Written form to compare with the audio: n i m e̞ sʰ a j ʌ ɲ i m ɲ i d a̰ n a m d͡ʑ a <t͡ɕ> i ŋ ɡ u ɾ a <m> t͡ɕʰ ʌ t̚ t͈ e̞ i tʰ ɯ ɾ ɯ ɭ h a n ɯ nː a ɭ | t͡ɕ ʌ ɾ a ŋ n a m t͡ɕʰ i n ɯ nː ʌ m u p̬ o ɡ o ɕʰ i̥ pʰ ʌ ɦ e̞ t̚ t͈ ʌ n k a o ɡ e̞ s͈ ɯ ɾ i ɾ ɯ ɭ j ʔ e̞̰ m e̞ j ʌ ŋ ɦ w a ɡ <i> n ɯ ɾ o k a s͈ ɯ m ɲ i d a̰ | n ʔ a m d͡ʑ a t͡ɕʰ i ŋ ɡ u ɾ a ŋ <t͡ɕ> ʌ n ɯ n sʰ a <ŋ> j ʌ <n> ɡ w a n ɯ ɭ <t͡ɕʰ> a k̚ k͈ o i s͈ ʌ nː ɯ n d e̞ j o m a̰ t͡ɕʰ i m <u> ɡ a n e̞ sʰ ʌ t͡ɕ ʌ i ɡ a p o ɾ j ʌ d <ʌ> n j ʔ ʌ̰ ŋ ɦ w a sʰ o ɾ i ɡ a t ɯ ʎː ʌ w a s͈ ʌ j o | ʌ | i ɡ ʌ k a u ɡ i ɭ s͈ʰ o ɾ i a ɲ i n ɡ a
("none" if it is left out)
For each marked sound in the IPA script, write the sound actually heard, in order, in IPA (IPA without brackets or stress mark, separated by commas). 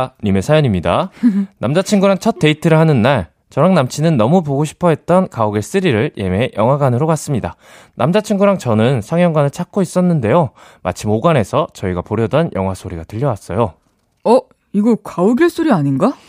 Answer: t͡ɕʰ, ŋ, a, t͡ɕ, ŋ, ŋ, t͡ɕʰ, o, ʌ